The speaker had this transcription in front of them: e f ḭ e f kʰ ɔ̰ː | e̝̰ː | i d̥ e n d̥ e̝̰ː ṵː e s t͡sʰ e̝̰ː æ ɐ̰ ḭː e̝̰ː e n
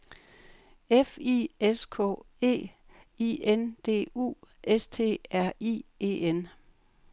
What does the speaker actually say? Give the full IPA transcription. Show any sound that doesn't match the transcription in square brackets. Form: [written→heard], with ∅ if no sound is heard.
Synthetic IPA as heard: e f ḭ e [f→s] kʰ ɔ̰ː | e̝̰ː | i [d̥→∅] e n d̥ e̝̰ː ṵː e s t͡sʰ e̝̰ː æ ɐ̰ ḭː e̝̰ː e n

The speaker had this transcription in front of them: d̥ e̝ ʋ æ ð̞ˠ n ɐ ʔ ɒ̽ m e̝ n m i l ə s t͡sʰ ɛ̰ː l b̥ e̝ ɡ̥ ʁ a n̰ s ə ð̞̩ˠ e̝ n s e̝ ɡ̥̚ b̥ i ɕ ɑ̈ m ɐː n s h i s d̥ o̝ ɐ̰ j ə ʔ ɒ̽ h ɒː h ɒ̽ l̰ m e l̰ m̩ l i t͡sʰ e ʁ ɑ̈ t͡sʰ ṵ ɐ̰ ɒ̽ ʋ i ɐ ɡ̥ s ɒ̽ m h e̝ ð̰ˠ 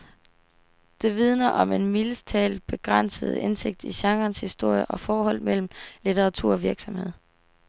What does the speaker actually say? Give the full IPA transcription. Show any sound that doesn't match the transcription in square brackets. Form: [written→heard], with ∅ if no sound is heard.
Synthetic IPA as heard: d̥ e̝ ʋ [æ→i] ð̞ˠ n ɐ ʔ ɒ̽ m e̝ n m i l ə s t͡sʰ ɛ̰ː l b̥ e̝ ɡ̥ ʁ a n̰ s ə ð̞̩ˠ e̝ n s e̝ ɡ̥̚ [b̥→d̥] i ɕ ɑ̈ [m→ŋ] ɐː n s h i s d̥ o̝ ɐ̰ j ə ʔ ɒ̽ [h→f] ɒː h ɒ̽ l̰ m e l̰ m̩ l i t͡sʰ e ʁ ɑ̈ t͡sʰ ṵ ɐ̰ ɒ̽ ʋ i ɐ ɡ̥ s ɒ̽ m h e̝ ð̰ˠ

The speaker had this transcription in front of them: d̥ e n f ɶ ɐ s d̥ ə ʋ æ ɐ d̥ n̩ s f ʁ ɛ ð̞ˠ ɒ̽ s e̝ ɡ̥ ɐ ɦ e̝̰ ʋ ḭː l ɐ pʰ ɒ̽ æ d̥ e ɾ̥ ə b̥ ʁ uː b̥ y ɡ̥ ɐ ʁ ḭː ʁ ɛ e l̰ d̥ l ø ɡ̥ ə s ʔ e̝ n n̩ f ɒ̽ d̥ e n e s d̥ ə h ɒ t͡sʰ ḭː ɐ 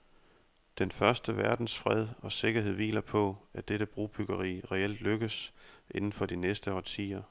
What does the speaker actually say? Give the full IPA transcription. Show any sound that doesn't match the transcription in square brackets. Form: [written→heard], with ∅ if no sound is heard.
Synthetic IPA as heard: d̥ e n f ɶ ɐ s d̥ ə ʋ æ ɐ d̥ n̩ s f ʁ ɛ ð̞ˠ ɒ̽ s e̝ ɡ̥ ɐ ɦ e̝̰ ʋ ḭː l ɐ pʰ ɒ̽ æ d̥ e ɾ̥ ə b̥ ʁ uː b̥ y ɡ̥ ɐ ʁ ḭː ʁ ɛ e l̰ d̥ l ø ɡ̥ ə s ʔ e̝ n n̩ f ɒ̽ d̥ [e→i] n e s d̥ ə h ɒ t͡sʰ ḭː ɐ

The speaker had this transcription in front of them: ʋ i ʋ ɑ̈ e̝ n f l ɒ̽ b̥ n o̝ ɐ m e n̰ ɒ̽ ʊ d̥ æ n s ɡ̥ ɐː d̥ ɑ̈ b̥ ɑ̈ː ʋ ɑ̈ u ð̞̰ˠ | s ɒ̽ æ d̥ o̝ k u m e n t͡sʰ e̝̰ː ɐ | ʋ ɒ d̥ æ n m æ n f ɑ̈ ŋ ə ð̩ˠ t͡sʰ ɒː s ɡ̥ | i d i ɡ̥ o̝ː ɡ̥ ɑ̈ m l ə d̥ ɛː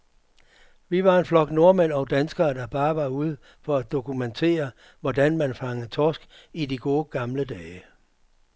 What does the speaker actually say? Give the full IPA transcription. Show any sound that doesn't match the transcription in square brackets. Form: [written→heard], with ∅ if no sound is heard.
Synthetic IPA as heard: ʋ i ʋ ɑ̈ e̝ n f l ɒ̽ [b̥→ɡ̥] n o̝ ɐ m e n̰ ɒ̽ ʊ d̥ æ n s ɡ̥ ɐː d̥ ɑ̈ b̥ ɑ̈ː ʋ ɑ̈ u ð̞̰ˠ | [s→f] ɒ̽ æ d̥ o̝ k u m e n t͡sʰ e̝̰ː ɐ | ʋ ɒ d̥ æ n m æ n f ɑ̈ ŋ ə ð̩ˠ t͡sʰ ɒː s ɡ̥ | i d i ɡ̥ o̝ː ɡ̥ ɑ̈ m l ə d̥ ɛː

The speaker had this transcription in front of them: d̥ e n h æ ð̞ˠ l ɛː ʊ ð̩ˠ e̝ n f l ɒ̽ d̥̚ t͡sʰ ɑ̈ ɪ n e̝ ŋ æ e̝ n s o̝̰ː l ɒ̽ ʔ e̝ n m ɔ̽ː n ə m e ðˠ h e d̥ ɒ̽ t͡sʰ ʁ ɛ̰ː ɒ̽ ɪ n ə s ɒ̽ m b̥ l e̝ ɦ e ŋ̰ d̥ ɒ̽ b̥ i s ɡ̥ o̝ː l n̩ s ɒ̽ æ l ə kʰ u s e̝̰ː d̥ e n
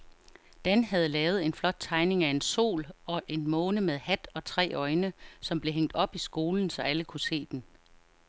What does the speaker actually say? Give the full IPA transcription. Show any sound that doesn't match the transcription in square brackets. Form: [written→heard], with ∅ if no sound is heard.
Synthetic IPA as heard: d̥ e n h æ ð̞ˠ l ɛː ʊ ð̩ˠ e̝ n f l ɒ̽ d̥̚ t͡sʰ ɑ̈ ɪ n e̝ ŋ æ e̝ n s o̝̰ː l ɒ̽ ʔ e̝ n m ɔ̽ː n ə m e ðˠ h [e→æ] d̥ ɒ̽ t͡sʰ ʁ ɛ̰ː ɒ̽ ɪ n ə s ɒ̽ m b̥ l e̝ ɦ e ŋ̰ d̥ ɒ̽ b̥ i s ɡ̥ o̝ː l n̩ s ɒ̽ æ l ə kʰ u s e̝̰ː d̥ e n

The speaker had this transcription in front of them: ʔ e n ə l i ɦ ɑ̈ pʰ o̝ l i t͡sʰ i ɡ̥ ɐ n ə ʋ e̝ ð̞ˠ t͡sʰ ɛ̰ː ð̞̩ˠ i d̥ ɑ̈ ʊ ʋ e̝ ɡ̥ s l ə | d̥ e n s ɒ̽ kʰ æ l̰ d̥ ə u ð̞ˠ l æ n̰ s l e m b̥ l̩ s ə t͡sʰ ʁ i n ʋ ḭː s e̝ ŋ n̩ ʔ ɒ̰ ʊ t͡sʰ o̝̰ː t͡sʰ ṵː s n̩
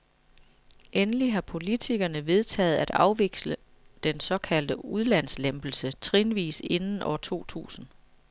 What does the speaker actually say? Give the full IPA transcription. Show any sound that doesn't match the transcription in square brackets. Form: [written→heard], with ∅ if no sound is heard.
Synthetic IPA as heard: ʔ e n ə l i ɦ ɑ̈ pʰ o̝ l i t͡sʰ i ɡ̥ ɐ n ə ʋ e̝ ð̞ˠ t͡sʰ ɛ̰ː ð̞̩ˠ [i→æ] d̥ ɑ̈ ʊ ʋ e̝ ɡ̥ s l ə | d̥ e n s ɒ̽ kʰ æ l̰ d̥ ə u ð̞ˠ l æ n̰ s l e m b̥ l̩ s ə t͡sʰ ʁ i n ʋ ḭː s e̝ [ŋ→n] n̩ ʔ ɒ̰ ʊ t͡sʰ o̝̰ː t͡sʰ ṵː s n̩

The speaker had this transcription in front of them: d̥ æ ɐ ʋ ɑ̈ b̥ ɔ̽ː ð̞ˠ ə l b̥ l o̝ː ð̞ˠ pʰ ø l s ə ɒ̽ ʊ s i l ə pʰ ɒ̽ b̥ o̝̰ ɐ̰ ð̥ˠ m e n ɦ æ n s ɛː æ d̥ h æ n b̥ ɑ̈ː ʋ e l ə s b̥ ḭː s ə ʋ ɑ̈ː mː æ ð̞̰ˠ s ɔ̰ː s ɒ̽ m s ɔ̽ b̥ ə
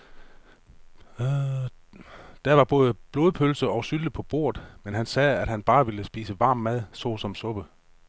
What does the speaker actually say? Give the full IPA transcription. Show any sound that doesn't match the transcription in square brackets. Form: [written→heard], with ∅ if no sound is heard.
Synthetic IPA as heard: d̥ æ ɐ ʋ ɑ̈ b̥ ɔ̽ː ð̞ˠ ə [l→∅] b̥ l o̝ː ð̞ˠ pʰ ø l s ə ɒ̽ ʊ s [i→y] l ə pʰ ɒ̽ b̥ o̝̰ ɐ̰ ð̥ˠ m e n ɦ æ n s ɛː æ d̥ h æ n b̥ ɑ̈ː ʋ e l ə s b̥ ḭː s ə ʋ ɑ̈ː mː æ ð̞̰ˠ s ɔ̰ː s ɒ̽ m s ɔ̽ b̥ ə

